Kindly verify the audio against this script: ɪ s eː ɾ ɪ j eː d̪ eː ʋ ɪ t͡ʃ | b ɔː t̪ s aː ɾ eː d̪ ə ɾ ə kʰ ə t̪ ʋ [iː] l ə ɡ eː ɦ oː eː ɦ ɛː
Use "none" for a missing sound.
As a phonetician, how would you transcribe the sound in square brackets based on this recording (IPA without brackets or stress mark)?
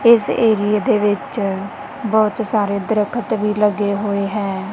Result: iː